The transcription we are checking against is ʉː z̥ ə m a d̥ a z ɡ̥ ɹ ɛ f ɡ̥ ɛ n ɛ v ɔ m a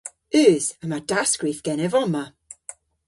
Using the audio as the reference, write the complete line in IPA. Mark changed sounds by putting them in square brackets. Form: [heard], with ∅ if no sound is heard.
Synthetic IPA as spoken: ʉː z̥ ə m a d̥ a [s] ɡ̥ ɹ [i] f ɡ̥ ɛ n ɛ v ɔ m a